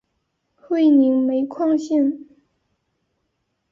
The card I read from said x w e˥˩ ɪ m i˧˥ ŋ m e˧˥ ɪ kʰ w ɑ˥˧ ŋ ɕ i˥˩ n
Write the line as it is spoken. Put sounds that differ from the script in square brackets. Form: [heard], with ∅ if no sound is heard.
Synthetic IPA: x w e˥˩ ɪ [n] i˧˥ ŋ m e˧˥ ɪ kʰ w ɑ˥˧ ŋ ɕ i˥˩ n